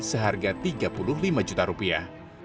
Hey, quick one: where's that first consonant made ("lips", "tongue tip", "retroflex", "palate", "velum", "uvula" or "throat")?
tongue tip